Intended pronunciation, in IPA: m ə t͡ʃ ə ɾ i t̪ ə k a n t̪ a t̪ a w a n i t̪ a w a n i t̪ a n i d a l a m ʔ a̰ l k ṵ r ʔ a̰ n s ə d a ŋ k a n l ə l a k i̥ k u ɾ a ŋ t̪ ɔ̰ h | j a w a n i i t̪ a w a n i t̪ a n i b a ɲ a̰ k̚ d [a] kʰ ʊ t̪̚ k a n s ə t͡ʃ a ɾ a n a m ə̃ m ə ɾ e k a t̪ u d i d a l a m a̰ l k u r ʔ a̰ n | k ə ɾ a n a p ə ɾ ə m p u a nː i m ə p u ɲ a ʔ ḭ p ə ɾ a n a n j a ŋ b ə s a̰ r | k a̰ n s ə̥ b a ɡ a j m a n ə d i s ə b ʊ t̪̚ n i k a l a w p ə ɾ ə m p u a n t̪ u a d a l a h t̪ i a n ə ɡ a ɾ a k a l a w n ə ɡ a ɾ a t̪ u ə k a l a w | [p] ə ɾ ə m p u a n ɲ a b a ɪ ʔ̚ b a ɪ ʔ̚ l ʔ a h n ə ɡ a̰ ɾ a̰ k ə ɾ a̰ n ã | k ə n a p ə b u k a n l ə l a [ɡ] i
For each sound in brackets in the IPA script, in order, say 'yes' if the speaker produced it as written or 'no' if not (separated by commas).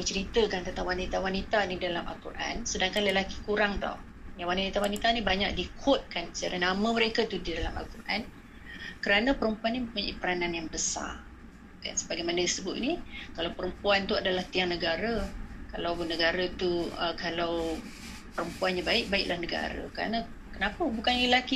no, yes, no